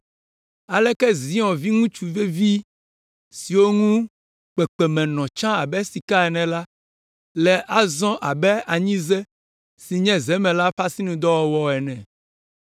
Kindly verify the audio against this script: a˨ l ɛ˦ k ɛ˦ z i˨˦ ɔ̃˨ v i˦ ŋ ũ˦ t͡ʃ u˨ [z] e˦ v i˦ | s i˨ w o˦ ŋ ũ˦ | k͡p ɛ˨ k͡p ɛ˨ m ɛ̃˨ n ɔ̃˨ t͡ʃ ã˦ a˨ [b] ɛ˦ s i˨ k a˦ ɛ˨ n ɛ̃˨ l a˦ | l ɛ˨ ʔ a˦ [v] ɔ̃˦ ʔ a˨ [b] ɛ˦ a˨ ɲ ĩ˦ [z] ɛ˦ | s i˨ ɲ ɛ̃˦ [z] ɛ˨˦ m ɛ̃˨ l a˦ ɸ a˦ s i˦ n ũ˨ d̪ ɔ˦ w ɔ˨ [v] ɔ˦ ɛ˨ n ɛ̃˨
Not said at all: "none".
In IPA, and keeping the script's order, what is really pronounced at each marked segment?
v, b, z, b, z, z, w

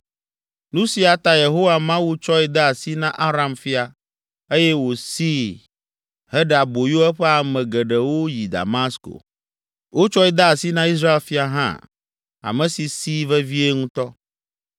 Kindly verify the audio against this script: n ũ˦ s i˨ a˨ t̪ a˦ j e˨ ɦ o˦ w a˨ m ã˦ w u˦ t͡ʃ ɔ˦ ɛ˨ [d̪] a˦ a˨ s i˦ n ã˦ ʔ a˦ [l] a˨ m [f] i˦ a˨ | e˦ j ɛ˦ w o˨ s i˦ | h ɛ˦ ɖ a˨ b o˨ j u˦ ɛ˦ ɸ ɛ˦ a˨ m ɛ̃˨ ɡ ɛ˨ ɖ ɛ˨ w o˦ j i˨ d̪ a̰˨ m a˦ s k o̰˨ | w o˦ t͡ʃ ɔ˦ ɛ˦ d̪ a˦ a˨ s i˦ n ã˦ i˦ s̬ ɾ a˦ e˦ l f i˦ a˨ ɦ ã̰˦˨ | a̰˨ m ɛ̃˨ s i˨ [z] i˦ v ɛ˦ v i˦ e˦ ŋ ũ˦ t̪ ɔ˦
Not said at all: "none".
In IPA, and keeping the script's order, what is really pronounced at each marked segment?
d̪, ɾ, f, s

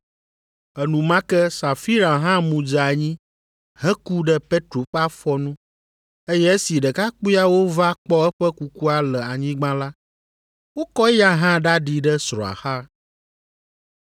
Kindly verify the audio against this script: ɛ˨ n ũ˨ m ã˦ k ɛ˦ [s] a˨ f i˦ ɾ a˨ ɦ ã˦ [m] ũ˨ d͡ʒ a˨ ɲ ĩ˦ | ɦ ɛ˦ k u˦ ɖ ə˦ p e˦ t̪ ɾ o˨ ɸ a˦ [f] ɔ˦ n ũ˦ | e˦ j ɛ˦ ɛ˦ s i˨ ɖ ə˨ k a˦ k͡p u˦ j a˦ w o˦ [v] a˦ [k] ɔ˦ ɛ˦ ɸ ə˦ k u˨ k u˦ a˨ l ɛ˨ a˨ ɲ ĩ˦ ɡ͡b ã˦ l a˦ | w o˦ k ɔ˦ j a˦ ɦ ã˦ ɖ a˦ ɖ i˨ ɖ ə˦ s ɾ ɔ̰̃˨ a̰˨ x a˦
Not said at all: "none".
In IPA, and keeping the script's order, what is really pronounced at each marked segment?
s, m, f, v, k͡p

